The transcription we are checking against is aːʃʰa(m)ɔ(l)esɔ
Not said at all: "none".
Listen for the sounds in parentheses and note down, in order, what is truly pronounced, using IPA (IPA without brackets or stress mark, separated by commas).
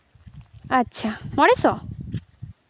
m, ɽ